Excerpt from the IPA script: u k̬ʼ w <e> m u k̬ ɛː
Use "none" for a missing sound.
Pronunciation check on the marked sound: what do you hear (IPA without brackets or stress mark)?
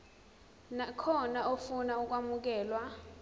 a